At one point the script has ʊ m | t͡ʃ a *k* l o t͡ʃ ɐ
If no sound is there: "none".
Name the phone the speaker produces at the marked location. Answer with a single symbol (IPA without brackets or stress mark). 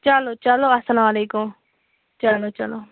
none